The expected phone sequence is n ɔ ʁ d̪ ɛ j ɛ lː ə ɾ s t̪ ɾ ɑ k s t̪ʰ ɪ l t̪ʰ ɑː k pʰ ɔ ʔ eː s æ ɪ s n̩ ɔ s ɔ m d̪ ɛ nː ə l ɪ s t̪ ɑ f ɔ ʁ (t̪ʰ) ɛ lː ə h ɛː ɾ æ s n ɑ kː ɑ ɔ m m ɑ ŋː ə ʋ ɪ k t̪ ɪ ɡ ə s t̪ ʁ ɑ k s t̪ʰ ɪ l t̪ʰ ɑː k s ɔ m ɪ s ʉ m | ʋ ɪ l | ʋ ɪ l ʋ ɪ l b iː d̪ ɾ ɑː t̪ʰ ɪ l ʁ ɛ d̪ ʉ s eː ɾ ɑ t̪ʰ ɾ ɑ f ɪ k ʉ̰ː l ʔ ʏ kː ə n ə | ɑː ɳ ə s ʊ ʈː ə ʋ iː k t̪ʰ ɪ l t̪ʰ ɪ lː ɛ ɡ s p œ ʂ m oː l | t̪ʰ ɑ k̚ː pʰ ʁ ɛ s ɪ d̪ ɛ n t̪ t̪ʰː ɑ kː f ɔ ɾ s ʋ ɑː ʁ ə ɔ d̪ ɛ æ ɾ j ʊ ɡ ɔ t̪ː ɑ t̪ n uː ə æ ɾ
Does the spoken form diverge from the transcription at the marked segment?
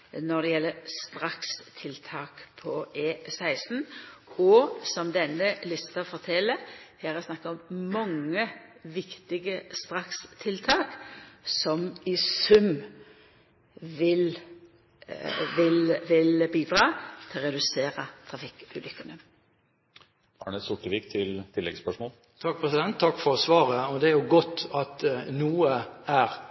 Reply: no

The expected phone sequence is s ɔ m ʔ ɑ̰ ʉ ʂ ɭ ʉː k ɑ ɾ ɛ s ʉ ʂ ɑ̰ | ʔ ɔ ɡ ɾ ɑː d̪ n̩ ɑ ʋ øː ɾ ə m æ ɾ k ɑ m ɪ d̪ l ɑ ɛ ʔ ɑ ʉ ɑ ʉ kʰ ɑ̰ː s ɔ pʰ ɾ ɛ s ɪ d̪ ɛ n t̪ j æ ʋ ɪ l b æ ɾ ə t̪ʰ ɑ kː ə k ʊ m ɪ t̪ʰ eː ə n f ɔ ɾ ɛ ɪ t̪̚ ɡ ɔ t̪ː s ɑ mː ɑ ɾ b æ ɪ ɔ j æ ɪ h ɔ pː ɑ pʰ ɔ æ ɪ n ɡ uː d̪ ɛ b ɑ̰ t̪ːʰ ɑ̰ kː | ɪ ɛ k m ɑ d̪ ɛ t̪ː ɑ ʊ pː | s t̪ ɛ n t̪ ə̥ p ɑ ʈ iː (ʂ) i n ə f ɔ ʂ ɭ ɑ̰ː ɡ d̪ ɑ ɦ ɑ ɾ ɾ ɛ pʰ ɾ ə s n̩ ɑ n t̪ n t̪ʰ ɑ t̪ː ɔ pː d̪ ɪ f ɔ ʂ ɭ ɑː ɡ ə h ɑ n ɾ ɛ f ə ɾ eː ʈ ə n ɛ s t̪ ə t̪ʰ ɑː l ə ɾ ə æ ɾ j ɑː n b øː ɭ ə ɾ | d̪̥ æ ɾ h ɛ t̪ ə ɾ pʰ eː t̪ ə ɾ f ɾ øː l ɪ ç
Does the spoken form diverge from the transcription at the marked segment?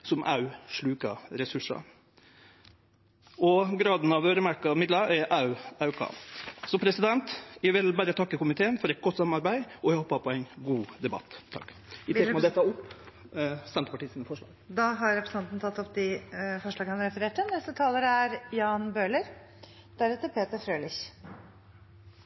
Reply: yes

